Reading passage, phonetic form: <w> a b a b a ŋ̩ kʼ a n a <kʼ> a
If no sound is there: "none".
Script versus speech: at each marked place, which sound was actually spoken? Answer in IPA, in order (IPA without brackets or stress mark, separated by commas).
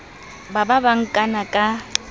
b, kʼ